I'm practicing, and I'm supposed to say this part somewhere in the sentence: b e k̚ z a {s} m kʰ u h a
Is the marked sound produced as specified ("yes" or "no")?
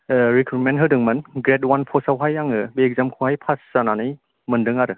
no